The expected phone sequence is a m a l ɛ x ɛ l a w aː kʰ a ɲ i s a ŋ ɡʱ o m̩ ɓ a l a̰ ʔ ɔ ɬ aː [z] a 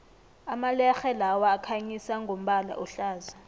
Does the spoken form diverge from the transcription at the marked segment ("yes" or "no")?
no